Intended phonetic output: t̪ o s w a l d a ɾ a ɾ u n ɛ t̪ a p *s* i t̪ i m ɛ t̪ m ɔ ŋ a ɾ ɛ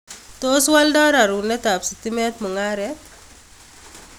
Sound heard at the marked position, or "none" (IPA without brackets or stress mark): s